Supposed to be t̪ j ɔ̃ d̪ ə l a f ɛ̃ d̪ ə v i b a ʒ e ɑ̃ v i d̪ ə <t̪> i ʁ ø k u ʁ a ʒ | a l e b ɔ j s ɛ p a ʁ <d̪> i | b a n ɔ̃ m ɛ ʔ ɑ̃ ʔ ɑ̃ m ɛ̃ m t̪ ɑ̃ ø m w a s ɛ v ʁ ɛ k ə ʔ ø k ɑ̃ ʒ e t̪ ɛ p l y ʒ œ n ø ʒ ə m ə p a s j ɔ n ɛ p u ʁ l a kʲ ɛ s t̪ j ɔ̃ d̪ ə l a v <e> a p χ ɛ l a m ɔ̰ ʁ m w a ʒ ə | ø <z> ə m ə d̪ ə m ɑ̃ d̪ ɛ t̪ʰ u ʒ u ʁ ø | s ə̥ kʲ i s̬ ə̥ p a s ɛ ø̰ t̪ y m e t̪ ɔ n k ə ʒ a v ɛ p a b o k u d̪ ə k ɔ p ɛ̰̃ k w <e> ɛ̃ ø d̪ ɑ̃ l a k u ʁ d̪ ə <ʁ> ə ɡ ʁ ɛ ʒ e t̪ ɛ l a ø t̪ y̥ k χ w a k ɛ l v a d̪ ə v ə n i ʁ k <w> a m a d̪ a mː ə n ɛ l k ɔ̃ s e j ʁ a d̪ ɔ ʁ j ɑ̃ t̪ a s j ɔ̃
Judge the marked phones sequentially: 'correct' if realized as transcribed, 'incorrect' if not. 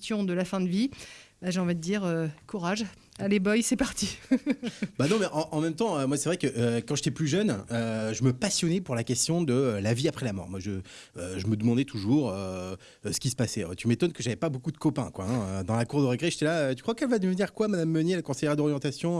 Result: incorrect, incorrect, incorrect, incorrect, incorrect, correct, correct

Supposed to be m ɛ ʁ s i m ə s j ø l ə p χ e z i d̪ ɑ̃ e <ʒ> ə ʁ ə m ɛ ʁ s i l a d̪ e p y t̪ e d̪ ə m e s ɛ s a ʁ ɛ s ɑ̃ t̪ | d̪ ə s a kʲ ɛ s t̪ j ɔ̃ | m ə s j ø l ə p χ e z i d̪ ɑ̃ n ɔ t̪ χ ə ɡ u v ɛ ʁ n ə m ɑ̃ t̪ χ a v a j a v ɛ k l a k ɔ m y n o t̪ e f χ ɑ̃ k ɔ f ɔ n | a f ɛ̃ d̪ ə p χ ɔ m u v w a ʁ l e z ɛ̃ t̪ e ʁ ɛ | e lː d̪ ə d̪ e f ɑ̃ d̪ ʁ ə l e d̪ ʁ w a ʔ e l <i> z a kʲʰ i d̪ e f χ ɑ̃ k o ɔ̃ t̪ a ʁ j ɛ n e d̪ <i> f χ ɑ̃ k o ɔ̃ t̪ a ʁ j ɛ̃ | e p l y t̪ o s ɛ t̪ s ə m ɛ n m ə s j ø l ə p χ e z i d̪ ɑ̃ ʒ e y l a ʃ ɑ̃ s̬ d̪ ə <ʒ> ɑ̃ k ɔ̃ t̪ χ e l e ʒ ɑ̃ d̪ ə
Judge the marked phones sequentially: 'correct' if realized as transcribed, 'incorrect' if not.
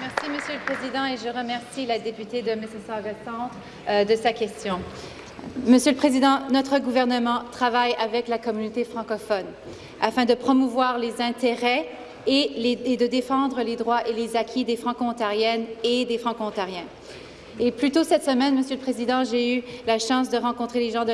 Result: correct, incorrect, incorrect, incorrect

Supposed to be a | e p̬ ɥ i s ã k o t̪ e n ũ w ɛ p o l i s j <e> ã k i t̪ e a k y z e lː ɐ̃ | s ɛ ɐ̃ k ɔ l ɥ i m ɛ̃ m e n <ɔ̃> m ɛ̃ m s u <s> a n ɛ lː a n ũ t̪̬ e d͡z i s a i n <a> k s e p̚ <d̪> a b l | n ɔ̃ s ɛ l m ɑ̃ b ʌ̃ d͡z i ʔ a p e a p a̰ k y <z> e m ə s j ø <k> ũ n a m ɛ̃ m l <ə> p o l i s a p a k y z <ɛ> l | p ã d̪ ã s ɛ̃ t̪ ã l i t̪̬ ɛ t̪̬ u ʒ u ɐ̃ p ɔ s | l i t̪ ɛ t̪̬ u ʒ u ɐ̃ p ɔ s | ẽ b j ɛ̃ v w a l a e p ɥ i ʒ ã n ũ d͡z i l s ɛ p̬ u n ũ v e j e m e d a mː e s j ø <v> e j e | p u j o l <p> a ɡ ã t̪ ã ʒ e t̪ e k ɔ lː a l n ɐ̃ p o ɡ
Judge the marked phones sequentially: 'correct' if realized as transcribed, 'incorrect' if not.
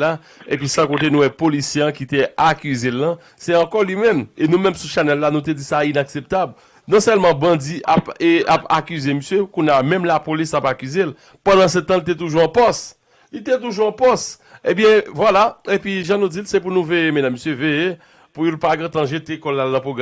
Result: correct, incorrect, incorrect, correct, incorrect, correct, correct, incorrect, incorrect, correct, correct

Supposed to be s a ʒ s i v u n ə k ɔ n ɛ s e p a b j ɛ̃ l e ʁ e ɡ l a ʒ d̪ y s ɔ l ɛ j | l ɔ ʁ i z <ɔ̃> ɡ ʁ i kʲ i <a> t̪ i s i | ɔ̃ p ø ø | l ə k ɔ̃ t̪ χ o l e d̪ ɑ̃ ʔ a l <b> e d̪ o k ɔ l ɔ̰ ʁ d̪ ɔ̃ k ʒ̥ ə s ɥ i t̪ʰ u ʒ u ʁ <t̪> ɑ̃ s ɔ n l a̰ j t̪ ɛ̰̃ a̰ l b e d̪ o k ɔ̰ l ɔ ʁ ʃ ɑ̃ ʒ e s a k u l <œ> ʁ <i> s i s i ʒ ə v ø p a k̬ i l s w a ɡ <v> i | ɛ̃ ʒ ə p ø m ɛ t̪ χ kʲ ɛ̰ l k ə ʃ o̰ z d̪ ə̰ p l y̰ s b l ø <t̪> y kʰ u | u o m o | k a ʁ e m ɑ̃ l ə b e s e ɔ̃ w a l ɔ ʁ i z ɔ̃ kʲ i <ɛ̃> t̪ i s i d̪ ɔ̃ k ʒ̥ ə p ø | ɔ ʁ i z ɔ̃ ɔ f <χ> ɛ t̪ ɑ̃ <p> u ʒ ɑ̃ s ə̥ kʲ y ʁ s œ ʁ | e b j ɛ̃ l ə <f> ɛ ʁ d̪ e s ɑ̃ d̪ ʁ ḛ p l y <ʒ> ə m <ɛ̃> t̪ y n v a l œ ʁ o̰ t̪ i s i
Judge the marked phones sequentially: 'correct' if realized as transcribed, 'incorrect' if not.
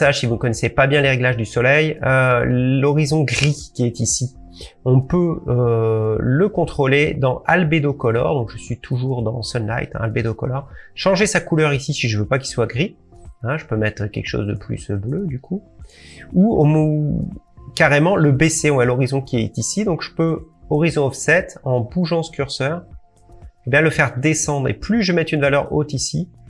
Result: correct, incorrect, correct, incorrect, correct, correct, incorrect, incorrect, incorrect, incorrect, incorrect, correct, correct, incorrect

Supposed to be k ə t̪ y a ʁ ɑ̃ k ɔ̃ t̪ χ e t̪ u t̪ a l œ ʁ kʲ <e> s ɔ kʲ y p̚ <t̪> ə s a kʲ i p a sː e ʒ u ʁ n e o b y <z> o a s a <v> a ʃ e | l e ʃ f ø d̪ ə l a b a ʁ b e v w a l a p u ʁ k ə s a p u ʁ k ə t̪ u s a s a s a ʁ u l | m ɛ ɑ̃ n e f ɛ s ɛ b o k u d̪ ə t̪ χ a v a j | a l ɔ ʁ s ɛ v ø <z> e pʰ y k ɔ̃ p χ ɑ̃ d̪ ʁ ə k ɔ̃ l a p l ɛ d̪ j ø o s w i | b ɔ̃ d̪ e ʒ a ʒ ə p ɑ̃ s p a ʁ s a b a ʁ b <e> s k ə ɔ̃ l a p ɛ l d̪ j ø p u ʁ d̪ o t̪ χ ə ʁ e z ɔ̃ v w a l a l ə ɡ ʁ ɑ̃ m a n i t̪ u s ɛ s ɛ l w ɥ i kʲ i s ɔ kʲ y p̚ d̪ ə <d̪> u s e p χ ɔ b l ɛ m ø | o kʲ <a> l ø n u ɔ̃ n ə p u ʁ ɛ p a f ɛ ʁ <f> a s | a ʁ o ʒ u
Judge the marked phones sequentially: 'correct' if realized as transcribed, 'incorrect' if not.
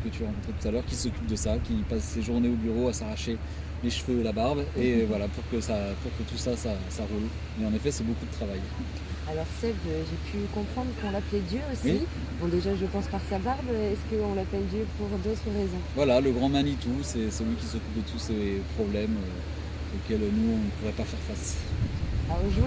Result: incorrect, incorrect, incorrect, incorrect, incorrect, incorrect, incorrect, incorrect, correct

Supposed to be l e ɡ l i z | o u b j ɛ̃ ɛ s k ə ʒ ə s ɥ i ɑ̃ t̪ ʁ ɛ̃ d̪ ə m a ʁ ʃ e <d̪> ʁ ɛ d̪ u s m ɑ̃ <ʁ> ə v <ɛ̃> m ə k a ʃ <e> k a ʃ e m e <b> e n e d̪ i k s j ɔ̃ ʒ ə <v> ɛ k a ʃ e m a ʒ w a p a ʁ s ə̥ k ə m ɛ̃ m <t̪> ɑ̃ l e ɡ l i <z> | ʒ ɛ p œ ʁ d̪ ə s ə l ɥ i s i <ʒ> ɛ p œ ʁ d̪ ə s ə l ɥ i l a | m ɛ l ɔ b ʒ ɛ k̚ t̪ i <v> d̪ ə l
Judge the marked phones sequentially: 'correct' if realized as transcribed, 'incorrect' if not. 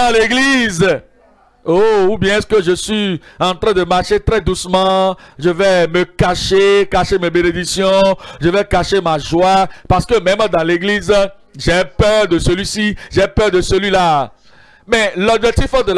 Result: incorrect, incorrect, incorrect, correct, correct, correct, incorrect, correct, correct, incorrect

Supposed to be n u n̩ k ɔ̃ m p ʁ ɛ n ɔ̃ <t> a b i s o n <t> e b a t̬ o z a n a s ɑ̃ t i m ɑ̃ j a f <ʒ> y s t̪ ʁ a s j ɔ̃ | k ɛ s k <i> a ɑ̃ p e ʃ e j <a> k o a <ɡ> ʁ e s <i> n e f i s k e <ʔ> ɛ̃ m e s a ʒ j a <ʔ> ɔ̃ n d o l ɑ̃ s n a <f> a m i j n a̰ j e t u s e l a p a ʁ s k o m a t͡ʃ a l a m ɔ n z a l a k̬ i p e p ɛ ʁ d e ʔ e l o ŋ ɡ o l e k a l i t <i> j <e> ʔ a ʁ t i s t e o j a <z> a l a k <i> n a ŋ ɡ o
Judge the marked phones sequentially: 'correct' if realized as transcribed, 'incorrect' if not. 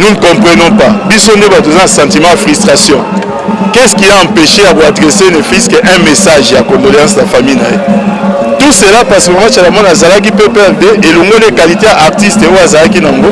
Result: incorrect, incorrect, incorrect, correct, correct, incorrect, incorrect, correct, incorrect, correct, incorrect, incorrect, correct, correct

